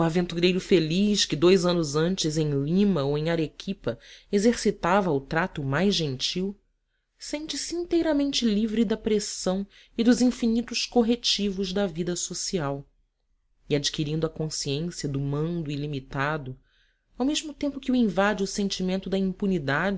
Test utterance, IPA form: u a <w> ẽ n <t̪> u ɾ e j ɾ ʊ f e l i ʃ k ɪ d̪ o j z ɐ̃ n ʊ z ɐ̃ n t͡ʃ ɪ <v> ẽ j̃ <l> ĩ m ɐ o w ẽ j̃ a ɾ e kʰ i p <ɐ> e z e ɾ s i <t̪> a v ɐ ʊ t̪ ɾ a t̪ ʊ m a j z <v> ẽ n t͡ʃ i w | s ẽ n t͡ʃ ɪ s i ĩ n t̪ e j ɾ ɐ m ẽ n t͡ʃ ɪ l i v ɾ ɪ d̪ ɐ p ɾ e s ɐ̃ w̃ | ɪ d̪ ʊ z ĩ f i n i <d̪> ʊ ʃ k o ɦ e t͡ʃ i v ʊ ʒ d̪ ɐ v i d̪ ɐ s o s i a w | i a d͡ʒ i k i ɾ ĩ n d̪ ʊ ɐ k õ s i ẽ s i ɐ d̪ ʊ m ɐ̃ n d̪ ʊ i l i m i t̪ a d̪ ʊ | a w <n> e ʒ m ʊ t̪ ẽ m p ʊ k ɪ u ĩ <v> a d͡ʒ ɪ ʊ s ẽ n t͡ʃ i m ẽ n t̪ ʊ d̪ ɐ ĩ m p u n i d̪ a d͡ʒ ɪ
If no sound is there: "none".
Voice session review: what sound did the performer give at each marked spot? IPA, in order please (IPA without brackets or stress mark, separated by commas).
v, t̪, z, l, ɐ, t̪, ʒ, t̪, m, v